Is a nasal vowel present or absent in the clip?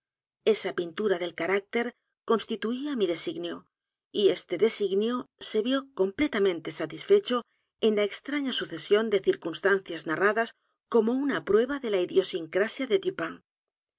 present